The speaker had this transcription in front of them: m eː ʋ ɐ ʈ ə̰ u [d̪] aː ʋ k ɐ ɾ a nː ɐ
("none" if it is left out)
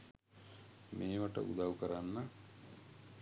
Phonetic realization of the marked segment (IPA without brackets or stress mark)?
d̪